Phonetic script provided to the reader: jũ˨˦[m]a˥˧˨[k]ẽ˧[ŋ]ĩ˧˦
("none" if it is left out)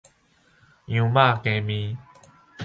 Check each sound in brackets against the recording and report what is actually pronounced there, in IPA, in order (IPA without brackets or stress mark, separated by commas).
m, k, m